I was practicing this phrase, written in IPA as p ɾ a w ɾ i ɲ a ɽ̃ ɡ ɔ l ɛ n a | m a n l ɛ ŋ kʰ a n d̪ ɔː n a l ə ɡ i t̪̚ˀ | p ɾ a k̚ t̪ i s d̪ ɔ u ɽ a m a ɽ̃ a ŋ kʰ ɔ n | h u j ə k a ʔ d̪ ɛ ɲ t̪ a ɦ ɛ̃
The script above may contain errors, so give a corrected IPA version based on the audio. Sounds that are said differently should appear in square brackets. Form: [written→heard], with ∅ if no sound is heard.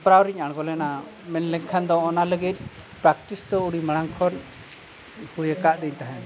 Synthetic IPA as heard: p ɾ a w ɾ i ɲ a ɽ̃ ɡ ɔ l ɛ n a | m [a→ɛ] n l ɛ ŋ kʰ a n d̪ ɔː n a l ə ɡ i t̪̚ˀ | p ɾ a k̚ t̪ i s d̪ ɔ u ɽ [a→i] m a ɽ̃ a ŋ kʰ ɔ n | h u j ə k a ʔ d̪ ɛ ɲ t̪ a ɦ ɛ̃